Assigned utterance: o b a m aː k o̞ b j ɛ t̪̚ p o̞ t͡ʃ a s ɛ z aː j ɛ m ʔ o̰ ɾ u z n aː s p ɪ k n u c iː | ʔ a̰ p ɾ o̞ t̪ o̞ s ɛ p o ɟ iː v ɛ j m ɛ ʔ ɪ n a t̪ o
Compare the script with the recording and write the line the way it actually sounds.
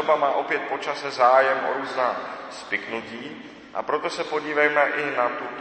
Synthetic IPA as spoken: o b a m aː ʔ o̞ p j ɛ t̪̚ p o̞ t͡ʃ a s ɛ z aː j ɛ m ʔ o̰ ɾ uː z n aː s p ɪ k n u c iː | ʔ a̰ p ɾ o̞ t̪ o̞ s ɛ p o ɟ iː v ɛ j m ɛ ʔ ɪ n a t̪ u